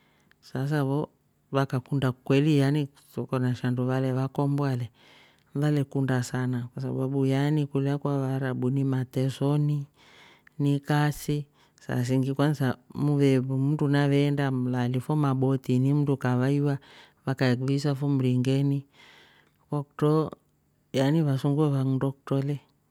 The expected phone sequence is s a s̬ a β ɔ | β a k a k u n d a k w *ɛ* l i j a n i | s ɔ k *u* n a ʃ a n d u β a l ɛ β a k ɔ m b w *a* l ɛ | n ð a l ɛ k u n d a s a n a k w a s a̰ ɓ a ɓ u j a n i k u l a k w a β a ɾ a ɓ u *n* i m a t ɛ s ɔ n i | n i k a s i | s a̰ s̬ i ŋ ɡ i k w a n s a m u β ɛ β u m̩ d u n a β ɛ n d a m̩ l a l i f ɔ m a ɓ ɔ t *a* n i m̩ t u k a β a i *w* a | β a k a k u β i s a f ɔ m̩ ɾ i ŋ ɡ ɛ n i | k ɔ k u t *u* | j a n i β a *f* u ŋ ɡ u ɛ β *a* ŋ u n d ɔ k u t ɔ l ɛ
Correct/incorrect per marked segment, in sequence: correct, incorrect, correct, correct, incorrect, correct, incorrect, incorrect, correct

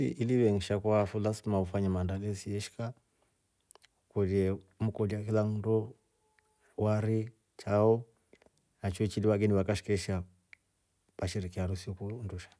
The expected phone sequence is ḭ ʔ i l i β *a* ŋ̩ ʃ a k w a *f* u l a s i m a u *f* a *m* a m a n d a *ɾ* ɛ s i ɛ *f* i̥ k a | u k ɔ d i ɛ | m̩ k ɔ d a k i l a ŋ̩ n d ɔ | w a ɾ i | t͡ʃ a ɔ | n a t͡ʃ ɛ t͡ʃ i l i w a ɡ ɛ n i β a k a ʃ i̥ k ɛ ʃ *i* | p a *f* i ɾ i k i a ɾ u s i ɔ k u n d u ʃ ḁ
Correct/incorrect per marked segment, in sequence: incorrect, correct, correct, incorrect, incorrect, incorrect, incorrect, incorrect

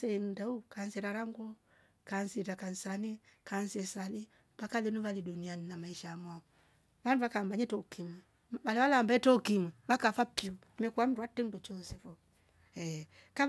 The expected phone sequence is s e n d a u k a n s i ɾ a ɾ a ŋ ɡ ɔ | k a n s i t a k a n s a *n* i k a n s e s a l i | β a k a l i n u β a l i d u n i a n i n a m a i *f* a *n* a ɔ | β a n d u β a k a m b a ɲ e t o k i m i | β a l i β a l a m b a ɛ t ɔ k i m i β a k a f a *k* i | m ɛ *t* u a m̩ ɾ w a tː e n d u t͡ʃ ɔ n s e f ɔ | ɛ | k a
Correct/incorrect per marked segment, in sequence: correct, incorrect, incorrect, incorrect, incorrect

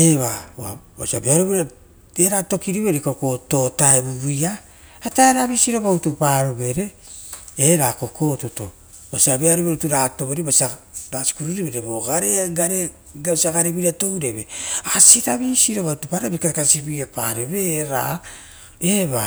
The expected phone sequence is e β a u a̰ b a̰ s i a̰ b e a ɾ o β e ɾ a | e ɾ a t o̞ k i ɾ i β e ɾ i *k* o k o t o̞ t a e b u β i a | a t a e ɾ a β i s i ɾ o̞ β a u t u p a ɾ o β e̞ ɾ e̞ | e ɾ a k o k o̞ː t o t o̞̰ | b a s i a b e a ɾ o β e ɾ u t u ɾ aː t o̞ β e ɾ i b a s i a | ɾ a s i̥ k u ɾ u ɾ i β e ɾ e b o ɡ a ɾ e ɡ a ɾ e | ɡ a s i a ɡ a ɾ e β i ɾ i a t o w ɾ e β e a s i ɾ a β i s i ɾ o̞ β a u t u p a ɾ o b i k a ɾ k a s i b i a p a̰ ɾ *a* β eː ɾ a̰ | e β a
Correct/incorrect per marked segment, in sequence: correct, incorrect

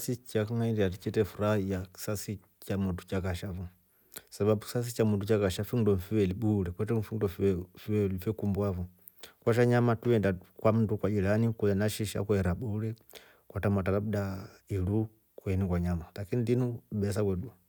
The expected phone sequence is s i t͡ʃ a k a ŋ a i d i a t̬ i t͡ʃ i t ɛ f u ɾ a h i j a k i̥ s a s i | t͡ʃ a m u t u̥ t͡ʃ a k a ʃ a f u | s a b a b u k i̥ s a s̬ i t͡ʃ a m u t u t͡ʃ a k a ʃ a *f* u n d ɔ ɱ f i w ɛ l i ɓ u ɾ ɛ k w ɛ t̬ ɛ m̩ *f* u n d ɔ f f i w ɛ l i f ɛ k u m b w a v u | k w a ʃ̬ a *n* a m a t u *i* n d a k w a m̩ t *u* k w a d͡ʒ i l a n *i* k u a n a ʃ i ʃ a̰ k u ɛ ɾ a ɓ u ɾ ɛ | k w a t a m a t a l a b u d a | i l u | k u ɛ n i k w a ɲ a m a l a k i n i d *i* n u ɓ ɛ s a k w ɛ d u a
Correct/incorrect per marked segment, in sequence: correct, correct, incorrect, incorrect, correct, correct, correct

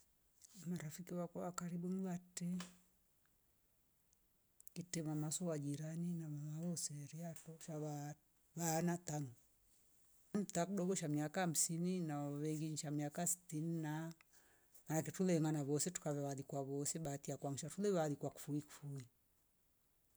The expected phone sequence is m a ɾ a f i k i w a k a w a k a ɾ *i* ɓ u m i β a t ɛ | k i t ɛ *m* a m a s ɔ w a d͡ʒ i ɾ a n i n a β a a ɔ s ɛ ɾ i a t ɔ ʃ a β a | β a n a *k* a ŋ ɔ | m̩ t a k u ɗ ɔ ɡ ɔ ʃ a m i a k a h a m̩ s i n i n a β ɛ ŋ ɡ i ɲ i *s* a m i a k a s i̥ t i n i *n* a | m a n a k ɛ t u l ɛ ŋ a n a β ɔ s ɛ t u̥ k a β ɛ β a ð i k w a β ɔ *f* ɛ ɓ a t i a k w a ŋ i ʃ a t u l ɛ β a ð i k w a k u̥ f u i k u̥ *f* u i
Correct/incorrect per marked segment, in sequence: correct, correct, incorrect, incorrect, correct, incorrect, correct

